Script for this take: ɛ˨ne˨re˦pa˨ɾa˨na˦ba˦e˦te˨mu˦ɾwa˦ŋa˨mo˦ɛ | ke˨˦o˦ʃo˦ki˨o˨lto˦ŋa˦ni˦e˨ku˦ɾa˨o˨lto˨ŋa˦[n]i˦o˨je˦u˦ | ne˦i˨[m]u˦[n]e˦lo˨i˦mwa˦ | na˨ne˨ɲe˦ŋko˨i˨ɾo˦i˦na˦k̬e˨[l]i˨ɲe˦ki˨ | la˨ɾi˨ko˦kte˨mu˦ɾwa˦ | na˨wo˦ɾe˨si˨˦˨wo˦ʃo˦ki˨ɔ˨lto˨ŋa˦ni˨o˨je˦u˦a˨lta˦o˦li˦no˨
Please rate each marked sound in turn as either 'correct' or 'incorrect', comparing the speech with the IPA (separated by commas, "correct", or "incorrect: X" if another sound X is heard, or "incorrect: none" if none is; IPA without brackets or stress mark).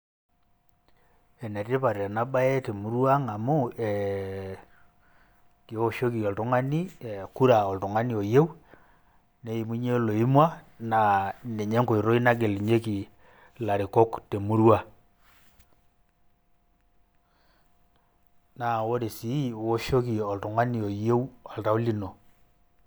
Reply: correct, correct, incorrect: ɲ, correct